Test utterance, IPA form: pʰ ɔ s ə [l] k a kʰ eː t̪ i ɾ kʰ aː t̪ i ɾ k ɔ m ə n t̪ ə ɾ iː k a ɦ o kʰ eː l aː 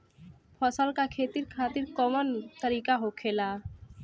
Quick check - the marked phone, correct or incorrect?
correct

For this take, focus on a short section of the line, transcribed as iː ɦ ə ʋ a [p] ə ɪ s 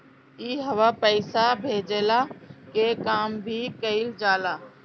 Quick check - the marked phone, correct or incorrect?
correct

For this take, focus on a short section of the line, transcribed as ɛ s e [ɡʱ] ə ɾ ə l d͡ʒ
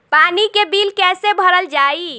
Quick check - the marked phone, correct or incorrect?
incorrect: bʱ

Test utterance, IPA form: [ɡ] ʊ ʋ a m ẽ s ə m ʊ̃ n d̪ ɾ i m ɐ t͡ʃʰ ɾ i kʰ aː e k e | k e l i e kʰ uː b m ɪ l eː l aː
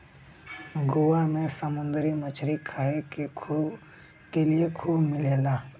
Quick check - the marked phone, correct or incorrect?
correct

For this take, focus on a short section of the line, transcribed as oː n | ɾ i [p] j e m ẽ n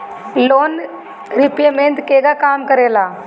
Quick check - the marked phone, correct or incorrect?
correct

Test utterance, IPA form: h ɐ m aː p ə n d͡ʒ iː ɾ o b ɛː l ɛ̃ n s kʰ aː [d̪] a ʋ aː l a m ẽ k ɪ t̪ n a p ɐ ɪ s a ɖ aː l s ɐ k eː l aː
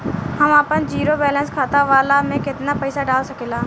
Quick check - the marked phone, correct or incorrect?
incorrect: t̪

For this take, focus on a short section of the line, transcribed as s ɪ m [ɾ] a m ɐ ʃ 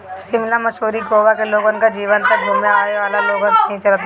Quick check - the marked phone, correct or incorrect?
incorrect: l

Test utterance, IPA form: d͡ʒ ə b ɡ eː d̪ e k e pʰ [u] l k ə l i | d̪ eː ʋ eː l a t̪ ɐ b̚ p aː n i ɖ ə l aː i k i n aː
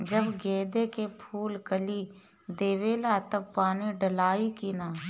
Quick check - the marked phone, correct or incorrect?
incorrect: uː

